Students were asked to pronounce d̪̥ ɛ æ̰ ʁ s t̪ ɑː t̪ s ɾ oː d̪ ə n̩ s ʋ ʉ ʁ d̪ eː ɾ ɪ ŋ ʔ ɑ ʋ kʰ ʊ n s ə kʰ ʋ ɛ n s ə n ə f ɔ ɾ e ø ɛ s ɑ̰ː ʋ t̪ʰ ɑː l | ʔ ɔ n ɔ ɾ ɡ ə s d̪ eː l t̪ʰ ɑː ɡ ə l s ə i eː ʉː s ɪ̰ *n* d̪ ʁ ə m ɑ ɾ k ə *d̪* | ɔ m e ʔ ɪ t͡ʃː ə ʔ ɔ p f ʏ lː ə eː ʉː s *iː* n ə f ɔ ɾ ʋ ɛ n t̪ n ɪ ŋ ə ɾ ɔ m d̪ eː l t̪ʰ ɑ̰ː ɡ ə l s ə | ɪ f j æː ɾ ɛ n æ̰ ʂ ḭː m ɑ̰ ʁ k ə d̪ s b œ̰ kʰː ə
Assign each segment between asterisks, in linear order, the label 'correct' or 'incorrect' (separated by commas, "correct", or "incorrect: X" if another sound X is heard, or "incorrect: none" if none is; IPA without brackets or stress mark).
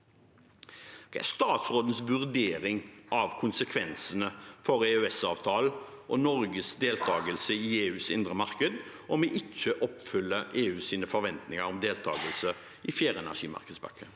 correct, correct, correct